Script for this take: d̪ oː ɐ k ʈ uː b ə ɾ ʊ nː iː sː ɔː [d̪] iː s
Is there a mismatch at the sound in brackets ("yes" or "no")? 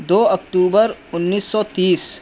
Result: yes